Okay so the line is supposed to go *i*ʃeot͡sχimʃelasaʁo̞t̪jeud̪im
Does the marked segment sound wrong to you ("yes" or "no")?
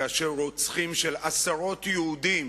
yes